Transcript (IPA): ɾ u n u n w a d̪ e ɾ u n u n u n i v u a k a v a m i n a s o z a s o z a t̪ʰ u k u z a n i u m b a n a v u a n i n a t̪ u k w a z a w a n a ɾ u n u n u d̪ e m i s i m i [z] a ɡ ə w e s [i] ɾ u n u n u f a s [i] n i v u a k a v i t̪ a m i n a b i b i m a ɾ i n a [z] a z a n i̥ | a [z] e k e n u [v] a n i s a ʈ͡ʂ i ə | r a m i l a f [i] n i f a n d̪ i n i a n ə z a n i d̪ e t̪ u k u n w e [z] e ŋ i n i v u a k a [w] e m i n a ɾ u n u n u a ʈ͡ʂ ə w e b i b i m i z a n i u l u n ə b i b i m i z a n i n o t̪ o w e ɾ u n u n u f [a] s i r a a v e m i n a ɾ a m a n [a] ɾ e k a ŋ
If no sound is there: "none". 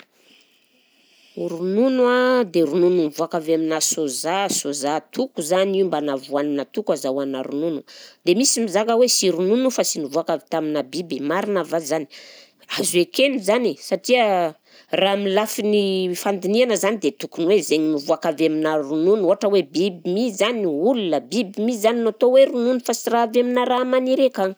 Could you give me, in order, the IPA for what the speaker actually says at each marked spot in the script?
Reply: z, i, i, v, z, z, i, z, v, a, i

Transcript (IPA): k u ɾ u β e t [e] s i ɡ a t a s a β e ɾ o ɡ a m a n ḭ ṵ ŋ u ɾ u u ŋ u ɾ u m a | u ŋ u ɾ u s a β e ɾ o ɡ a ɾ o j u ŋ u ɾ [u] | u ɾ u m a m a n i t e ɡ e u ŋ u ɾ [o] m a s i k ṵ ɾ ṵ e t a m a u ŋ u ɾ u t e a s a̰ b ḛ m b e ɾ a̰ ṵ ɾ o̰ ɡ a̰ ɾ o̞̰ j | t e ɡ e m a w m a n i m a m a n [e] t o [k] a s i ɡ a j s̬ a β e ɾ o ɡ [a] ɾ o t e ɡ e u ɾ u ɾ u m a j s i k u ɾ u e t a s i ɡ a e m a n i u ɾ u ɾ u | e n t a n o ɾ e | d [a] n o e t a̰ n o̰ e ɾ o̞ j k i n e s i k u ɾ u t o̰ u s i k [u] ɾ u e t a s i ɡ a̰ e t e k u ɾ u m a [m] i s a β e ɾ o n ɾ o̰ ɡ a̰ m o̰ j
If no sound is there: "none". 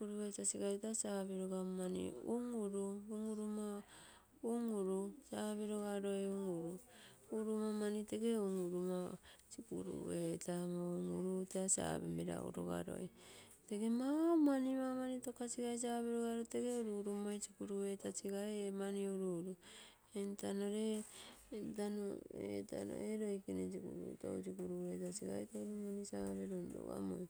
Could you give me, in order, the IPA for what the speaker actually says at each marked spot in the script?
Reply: a, u, u, i, k, a, a, u, n

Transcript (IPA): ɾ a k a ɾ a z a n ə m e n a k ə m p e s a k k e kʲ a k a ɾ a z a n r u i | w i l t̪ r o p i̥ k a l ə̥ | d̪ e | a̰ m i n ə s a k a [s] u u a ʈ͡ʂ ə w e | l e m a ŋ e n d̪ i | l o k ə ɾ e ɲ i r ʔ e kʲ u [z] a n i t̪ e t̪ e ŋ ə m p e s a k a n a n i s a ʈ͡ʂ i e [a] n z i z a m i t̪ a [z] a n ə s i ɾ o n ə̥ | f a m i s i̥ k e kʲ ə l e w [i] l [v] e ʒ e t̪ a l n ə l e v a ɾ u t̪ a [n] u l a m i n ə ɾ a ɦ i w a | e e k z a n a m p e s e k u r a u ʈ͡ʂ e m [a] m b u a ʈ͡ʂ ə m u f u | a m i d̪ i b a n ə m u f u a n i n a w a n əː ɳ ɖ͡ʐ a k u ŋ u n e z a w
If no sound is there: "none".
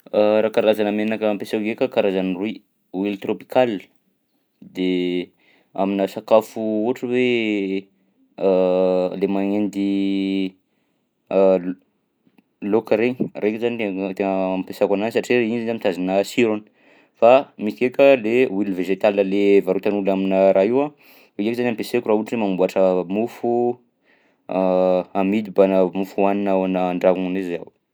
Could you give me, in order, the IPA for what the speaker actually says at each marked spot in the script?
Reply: f, z, i, z, i, v, n, a

